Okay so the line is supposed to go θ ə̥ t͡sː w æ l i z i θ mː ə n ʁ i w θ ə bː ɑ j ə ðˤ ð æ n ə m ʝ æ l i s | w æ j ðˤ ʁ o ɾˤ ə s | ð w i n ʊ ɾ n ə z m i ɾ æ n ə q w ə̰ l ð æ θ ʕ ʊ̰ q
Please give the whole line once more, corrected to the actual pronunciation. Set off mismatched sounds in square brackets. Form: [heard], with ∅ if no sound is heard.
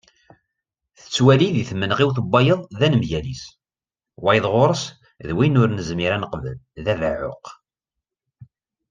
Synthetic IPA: θ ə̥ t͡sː w æ l i [ð] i θ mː ə n ʁ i w θ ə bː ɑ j ə ðˤ ð æ n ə m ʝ æ l i s | w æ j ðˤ ʁ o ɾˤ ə s | ð w i n ʊ ɾ n ə z m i ɾ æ n ə q [v] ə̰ l ð æ [ð] ʕ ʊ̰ q